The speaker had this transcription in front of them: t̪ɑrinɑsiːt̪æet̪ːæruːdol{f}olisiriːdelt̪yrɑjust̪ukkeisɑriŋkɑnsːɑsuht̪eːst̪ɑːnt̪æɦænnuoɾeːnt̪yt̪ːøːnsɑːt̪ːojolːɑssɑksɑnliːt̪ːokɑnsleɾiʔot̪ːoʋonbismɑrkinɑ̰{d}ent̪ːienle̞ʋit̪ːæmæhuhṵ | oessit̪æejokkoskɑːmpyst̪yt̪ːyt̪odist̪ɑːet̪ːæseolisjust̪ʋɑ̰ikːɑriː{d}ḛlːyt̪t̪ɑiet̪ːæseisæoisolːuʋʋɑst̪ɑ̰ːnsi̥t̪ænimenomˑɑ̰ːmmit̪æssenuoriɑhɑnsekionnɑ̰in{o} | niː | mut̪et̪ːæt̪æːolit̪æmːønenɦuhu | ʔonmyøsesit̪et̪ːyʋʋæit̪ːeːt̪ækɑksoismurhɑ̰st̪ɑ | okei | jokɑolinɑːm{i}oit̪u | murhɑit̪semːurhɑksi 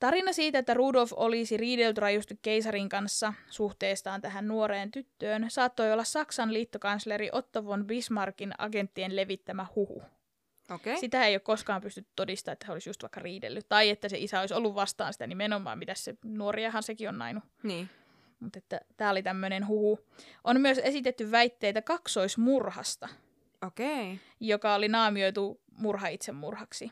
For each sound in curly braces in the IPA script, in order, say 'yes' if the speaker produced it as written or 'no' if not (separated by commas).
yes, no, yes, no, yes